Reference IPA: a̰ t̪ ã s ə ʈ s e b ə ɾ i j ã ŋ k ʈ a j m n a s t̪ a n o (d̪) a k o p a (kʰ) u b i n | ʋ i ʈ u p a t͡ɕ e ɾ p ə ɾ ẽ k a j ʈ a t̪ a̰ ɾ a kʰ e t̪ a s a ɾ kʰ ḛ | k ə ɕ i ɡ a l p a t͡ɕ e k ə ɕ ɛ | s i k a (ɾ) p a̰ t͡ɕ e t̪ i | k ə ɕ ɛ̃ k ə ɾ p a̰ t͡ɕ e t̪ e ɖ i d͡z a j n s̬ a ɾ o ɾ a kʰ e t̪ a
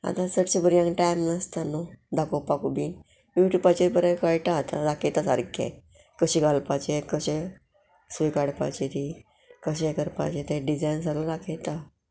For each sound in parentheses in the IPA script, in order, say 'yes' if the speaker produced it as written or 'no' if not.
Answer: yes, no, no

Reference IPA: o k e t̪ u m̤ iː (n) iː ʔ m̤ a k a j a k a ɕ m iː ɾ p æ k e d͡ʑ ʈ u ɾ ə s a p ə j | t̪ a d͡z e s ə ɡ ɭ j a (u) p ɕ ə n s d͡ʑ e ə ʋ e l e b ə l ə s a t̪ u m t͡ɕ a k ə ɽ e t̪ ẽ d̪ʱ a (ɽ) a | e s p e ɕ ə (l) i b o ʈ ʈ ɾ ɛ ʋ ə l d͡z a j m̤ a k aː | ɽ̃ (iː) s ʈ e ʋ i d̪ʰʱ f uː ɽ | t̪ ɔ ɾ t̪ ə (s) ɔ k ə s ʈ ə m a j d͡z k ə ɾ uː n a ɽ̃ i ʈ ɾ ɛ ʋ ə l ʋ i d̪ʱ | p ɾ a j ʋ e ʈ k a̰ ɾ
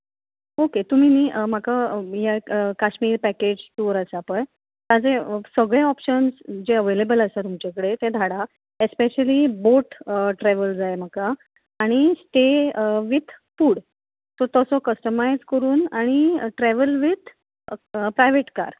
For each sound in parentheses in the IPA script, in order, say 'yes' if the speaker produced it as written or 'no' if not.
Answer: yes, no, yes, yes, no, yes

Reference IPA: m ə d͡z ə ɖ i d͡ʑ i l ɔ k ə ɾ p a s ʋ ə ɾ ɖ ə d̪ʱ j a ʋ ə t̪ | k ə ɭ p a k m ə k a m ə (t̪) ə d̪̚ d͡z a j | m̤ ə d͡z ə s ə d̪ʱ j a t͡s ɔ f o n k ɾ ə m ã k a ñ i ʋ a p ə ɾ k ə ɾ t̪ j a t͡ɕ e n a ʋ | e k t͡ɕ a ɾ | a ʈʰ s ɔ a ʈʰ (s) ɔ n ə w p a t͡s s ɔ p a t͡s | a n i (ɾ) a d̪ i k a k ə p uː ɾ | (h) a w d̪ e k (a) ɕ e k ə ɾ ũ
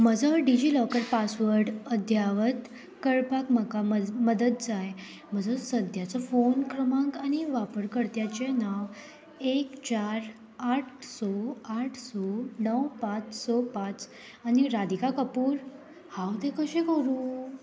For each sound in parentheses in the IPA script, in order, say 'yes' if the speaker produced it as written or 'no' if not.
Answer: no, yes, yes, yes, no

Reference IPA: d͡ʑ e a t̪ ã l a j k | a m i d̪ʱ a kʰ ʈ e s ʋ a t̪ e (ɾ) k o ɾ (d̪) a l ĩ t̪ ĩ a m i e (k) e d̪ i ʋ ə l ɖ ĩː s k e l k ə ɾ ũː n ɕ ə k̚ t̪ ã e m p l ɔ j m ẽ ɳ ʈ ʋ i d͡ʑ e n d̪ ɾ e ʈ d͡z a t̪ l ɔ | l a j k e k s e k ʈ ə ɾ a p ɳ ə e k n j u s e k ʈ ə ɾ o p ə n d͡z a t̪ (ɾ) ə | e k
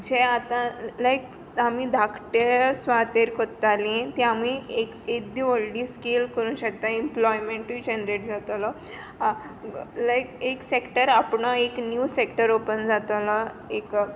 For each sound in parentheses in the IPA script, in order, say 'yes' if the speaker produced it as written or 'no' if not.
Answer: yes, no, yes, no

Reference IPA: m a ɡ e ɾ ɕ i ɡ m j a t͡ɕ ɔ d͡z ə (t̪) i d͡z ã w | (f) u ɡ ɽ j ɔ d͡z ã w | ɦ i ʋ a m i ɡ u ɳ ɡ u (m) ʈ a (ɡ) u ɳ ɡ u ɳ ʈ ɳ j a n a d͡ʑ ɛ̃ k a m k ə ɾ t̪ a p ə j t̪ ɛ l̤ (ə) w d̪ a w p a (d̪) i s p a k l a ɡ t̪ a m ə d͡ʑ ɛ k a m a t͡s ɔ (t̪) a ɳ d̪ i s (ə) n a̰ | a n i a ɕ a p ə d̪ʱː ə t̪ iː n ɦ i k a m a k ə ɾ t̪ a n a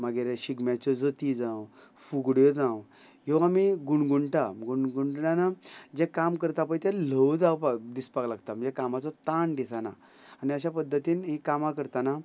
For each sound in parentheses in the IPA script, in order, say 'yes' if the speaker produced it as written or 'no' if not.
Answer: yes, yes, no, yes, yes, yes, yes, no

